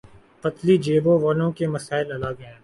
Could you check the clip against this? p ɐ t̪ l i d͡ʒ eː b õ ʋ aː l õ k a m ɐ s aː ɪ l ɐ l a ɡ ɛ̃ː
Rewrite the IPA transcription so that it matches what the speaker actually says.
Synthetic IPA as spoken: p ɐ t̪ l i d͡ʒ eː b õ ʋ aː l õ k e m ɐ s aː ɪ l ɐ l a ɡ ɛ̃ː